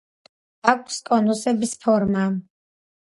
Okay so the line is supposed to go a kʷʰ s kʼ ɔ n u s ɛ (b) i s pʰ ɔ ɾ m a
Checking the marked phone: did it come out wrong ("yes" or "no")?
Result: no